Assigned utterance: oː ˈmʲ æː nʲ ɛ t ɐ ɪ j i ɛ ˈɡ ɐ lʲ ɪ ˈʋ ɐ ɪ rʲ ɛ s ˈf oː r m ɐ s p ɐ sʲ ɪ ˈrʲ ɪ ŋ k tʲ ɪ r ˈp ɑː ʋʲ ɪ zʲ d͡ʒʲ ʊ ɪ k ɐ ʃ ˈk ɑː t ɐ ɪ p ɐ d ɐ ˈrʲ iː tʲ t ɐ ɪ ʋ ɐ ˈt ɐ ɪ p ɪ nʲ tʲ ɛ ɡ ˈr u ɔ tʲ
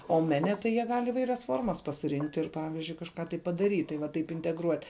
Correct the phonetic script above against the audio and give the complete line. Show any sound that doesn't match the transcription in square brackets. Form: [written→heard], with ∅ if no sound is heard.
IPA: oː ˈmʲ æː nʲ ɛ t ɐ ɪ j i ɛ ˈɡ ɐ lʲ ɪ ˈʋ ɐ ɪ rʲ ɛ s ˈf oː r m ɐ s p ɐ sʲ ɪ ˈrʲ ɪ ŋ k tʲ ɪ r ˈp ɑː ʋʲ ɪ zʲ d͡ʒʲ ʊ ɪ k ɐ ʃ ˈk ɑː t ɐ ɪ p ɐ d ɐ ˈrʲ iː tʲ t ɐ ɪ ʋ ɐ ˈt ɐ ɪ p ɪ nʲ tʲ ɛ ɡ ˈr u ɔ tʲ

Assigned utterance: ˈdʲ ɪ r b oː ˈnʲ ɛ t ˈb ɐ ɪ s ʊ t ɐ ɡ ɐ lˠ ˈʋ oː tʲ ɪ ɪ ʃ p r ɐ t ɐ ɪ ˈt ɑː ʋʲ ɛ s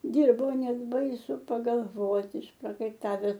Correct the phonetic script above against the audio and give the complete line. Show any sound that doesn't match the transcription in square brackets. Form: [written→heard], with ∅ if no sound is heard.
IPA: ˈdʲ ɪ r b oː ˈnʲ ɛ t ˈb ɐ ɪ s ʊ [t→p] ɐ ɡ ɐ lˠ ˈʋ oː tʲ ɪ ɪ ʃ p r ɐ [t→k] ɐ ɪ ˈt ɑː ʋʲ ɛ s

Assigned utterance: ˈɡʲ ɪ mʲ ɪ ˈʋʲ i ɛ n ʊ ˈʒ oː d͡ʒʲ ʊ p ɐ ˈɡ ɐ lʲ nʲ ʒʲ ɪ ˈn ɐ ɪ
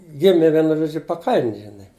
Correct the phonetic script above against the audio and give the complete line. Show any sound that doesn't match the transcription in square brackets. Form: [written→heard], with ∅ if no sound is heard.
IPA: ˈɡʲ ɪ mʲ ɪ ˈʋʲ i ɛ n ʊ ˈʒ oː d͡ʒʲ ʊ p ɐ [ˈɡ→ˈk] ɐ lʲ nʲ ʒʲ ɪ ˈn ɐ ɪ

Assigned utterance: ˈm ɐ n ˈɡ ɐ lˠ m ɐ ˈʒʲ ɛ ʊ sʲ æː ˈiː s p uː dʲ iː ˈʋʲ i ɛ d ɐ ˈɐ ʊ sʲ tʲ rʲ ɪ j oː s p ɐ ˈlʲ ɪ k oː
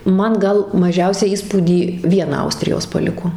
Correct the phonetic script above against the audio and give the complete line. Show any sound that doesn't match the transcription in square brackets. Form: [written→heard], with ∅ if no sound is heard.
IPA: ˈm ɐ n ˈɡ ɐ lˠ m ɐ ˈʒʲ ɛ ʊ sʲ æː ˈiː s p uː dʲ iː ˈʋʲ i ɛ [d→n] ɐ ˈɐ ʊ sʲ tʲ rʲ ɪ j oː s p ɐ ˈlʲ ɪ k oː

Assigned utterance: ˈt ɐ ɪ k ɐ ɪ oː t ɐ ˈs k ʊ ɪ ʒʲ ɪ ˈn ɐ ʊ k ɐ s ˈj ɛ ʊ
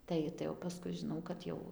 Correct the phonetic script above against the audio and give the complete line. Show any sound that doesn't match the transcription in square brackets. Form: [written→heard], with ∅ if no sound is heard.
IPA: ˈt ɐ ɪ [k→t] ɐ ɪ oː [t→p] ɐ ˈs k ʊ ɪ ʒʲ ɪ ˈn ɐ ʊ k ɐ [s→t] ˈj ɛ ʊ

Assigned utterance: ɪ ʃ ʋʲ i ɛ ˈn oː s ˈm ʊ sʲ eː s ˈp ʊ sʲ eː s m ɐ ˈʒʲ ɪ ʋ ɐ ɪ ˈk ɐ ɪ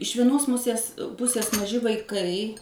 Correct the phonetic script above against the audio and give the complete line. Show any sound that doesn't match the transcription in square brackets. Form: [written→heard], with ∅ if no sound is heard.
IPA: ɪ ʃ ʋʲ i ɛ ˈn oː s ˈm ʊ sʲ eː s ˈp ʊ sʲ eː s m ɐ ˈʒʲ ɪ ʋ ɐ ɪ ˈk ɐ ɪ

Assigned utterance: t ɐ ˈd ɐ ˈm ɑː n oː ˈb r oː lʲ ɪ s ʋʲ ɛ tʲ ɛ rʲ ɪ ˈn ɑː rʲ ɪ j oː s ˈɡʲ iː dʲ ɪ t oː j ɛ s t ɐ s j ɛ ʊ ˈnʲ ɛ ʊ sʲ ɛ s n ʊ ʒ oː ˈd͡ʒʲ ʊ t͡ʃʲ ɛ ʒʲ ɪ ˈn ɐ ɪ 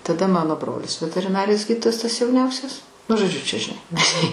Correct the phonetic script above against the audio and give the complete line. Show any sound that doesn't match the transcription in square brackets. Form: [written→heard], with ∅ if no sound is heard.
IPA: t ɐ ˈd ɐ ˈm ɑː n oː ˈb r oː lʲ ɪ s ʋʲ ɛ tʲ ɛ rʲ ɪ ˈn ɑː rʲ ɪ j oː s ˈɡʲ iː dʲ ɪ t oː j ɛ s t ɐ s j ɛ ʊ ˈnʲ ɛ ʊ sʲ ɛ s n ʊ ʒ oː ˈd͡ʒʲ ʊ t͡ʃʲ ɛ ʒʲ ɪ ˈn ɐ ɪ

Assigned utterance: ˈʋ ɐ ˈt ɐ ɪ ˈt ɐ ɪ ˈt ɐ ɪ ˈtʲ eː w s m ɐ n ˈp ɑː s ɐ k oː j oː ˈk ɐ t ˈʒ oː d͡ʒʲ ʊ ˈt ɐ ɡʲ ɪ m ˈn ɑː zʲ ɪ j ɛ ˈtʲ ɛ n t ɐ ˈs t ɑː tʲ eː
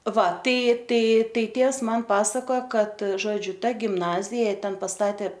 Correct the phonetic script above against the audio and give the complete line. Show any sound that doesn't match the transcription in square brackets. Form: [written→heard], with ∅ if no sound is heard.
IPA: ˈʋ ɐ ˈt ɐ ɪ ˈt ɐ ɪ ˈt ɐ ɪ ˈtʲ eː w s m ɐ n ˈp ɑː s ɐ k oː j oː ˈk ɐ t ˈʒ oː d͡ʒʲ ʊ ˈt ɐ ɡʲ ɪ m ˈn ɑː zʲ ɪ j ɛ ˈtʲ ɛ n [t→p] ɐ ˈs t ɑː tʲ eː

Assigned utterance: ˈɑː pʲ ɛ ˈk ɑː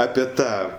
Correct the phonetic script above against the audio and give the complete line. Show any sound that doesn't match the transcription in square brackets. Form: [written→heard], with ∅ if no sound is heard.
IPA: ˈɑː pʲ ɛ [ˈk→ˈt] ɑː

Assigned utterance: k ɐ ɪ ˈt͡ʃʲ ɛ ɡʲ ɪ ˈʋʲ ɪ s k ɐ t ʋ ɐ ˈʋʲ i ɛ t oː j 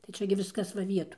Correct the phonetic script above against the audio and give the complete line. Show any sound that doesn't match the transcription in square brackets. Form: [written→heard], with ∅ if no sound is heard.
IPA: [k→t] ɐ ɪ ˈt͡ʃʲ ɛ ɡʲ ɪ ˈʋʲ ɪ s k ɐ [t→s] ʋ ɐ ˈʋʲ i ɛ t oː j

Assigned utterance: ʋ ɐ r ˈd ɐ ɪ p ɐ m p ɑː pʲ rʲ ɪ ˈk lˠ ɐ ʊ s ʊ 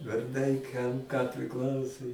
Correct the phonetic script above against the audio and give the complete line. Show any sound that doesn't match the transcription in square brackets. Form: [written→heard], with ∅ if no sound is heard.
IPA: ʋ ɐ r ˈd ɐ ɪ [p→k] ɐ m [p→k] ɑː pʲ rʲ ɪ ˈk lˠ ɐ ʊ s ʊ

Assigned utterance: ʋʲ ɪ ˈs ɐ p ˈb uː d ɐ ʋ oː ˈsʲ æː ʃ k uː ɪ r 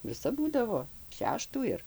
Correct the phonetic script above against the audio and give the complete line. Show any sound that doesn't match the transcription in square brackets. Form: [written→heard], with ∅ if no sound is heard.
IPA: ʋʲ ɪ ˈs ɐ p ˈb uː d ɐ ʋ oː [ˈsʲ→ˈʃʲ] æː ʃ [k→t] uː ɪ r

